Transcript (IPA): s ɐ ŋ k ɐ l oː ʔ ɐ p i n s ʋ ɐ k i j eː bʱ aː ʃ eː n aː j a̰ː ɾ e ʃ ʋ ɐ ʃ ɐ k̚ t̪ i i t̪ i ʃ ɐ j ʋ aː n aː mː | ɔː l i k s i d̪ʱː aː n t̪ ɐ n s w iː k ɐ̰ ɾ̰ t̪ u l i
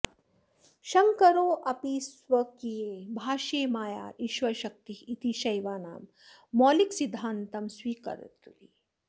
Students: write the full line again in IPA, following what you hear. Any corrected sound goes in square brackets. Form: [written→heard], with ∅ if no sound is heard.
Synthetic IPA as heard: [s→ʃ] ɐ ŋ k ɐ [l→ɾ] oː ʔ ɐ p i [n→∅] s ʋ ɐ k i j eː bʱ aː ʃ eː [n→m] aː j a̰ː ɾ [e→i] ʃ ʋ ɐ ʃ ɐ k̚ t̪ i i t̪ i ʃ ɐ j ʋ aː n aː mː | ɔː l i k s i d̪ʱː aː n t̪ ɐ [n→m] s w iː k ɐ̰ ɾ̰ t̪ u l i